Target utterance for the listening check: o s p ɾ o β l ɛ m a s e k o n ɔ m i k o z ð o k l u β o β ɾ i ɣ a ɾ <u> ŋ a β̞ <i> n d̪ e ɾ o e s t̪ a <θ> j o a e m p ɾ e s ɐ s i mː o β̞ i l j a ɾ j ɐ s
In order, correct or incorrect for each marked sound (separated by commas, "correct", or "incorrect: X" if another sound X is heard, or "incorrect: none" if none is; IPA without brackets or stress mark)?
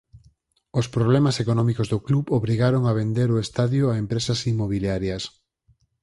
incorrect: o, incorrect: e, incorrect: ð